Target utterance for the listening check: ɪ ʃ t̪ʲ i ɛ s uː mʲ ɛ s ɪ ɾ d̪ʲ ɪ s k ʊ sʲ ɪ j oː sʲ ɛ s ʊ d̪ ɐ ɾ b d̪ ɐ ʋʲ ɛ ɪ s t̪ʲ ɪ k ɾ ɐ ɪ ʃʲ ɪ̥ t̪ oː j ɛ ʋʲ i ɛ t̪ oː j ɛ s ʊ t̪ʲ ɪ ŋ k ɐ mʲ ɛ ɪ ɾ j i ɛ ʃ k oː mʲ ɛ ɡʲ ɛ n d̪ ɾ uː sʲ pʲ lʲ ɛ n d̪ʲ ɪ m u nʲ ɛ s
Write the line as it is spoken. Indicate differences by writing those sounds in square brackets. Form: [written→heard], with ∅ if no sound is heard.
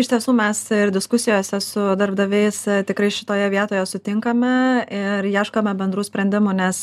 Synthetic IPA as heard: ɪ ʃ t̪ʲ i ɛ s uː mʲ ɛ s ɪ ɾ d̪ʲ ɪ s k ʊ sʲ ɪ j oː sʲ ɛ s ʊ d̪ ɐ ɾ b d̪ ɐ ʋʲ ɛ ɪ s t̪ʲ ɪ k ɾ ɐ ɪ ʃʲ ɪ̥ t̪ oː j ɛ ʋʲ i ɛ t̪ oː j ɛ s ʊ t̪ʲ ɪ ŋ k ɐ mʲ ɛ ɪ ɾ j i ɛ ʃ k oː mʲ ɛ [ɡʲ→bʲ] ɛ n d̪ ɾ uː sʲ pʲ [lʲ→ɾʲ] ɛ n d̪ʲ ɪ m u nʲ ɛ s